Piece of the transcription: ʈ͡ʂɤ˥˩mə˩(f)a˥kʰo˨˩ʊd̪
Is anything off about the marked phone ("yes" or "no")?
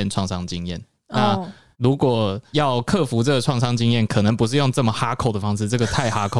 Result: yes